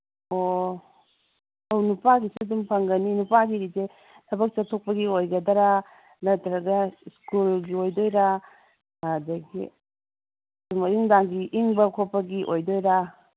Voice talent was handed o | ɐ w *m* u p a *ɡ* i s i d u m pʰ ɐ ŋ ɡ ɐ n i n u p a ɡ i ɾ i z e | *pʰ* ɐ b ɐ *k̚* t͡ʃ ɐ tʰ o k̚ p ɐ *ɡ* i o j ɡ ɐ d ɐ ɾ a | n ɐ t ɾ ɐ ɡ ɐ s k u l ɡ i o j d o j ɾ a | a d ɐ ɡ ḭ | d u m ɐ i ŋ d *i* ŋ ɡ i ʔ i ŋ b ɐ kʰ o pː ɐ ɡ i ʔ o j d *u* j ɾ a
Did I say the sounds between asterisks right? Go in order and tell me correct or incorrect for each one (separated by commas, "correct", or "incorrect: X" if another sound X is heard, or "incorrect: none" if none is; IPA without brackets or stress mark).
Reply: incorrect: n, correct, incorrect: tʰ, correct, correct, incorrect: a, incorrect: o